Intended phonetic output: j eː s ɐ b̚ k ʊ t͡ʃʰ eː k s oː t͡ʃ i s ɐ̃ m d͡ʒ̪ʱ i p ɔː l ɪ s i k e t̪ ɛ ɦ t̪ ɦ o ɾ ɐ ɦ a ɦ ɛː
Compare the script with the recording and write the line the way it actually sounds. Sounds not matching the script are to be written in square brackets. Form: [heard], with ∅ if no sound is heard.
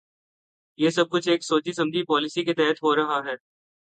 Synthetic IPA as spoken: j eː s ɐ b̚ k ʊ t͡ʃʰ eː k s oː t͡ʃ i s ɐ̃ m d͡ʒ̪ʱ i p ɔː l ɪ s i k e t̪ ɛ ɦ t̪ ɦ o ɾ ɐ ɦ a ɦ ɛː